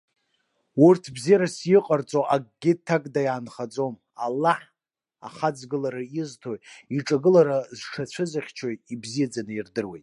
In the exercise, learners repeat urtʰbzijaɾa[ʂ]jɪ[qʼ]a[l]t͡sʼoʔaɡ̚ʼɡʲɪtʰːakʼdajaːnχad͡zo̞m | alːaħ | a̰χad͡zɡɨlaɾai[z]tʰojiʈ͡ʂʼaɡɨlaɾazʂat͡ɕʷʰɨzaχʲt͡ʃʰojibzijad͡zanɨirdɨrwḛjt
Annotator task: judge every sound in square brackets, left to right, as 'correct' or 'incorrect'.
incorrect: s, correct, incorrect: r, correct

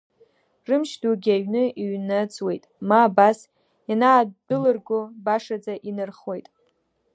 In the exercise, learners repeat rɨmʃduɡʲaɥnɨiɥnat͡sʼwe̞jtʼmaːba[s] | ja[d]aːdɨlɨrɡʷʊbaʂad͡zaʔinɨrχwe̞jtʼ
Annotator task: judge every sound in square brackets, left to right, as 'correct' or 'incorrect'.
correct, incorrect: n

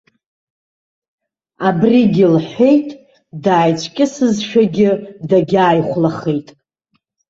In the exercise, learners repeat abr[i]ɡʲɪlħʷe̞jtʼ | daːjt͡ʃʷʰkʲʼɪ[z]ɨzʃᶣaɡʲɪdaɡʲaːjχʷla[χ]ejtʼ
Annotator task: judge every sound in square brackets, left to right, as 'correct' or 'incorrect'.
correct, incorrect: s, correct

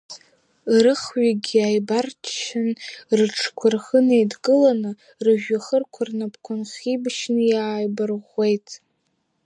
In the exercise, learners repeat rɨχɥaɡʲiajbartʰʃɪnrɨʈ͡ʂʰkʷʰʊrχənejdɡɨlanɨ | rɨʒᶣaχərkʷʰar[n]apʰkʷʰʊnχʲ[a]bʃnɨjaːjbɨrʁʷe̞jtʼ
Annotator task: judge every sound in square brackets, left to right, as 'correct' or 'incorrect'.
correct, incorrect: i

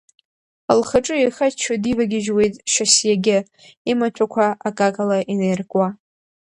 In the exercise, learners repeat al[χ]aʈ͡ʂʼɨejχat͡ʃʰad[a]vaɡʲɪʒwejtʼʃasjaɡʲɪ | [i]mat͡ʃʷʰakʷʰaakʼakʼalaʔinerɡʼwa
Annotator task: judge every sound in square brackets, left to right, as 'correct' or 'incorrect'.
correct, incorrect: i, correct

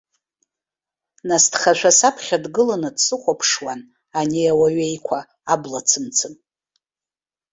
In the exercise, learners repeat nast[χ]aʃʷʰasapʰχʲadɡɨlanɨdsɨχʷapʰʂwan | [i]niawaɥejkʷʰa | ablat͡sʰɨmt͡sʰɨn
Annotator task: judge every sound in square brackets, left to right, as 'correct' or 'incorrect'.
correct, incorrect: a

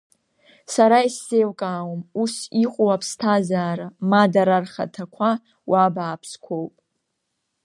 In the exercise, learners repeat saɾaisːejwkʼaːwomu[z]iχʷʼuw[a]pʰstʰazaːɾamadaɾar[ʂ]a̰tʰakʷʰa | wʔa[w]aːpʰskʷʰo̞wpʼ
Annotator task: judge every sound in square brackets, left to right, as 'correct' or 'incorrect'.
incorrect: s, correct, incorrect: χ, incorrect: b

